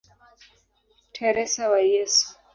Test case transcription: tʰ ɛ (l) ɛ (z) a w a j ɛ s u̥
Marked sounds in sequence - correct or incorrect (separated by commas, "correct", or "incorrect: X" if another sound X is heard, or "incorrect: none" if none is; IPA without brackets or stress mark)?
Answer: incorrect: ɾ, incorrect: s